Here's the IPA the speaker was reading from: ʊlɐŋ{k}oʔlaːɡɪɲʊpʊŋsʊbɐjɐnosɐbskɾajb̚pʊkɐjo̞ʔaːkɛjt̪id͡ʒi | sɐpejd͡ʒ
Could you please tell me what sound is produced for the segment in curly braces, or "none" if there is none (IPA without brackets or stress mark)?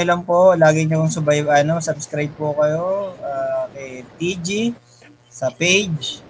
p